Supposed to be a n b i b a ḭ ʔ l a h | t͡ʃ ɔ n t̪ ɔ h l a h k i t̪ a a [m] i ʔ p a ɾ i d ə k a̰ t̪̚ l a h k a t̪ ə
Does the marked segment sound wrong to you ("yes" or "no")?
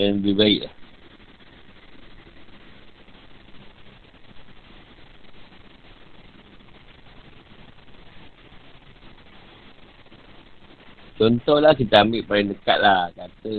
no